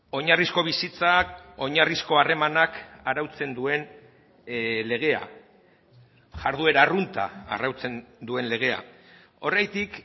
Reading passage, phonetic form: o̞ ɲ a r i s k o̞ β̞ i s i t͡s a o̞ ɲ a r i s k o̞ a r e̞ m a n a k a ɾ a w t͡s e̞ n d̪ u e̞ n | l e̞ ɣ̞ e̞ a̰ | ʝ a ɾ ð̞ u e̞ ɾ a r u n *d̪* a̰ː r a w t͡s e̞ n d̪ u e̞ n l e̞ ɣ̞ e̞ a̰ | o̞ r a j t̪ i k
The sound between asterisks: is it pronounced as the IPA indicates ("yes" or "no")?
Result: no